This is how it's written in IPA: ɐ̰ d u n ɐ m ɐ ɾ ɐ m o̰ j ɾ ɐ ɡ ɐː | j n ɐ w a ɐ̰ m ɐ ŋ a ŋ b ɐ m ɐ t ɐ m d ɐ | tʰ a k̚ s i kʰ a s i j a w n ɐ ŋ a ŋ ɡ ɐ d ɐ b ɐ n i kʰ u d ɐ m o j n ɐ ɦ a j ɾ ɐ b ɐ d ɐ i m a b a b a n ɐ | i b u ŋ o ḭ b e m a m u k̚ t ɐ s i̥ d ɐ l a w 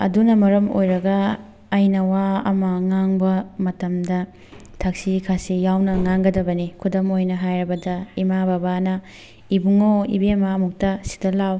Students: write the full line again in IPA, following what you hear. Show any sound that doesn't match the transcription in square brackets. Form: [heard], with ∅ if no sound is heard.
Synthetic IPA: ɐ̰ d u n ɐ m ɐ ɾ ɐ m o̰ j ɾ ɐ ɡ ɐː | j n ɐ w a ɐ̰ m ɐ ŋ a ŋ b ɐ m ɐ t ɐ m d ɐ | tʰ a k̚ s i kʰ a s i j a w n ɐ ŋ a ŋ ɡ ɐ d ɐ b ɐ n i kʰ u d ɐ m o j n ɐ ɦ a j ɾ ɐ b ɐ d ɐ i m a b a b a n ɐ | i b u ŋ o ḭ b e m a m u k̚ t ɐ s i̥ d ɐ l a w